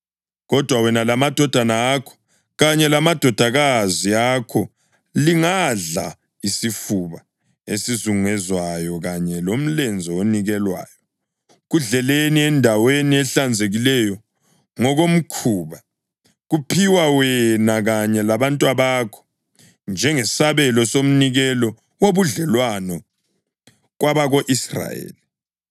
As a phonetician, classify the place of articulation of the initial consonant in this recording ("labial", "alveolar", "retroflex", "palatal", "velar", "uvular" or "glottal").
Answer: velar